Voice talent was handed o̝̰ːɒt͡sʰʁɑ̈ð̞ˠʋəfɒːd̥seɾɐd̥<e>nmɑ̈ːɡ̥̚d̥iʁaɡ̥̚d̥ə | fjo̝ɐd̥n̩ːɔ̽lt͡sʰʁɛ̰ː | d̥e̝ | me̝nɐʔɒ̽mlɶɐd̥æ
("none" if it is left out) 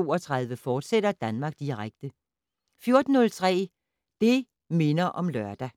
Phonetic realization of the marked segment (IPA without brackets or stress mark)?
æ